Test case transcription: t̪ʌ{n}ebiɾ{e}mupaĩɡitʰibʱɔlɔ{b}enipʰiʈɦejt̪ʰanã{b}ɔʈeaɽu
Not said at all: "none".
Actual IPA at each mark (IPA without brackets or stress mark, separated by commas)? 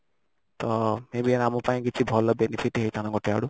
m, a, b, ɡ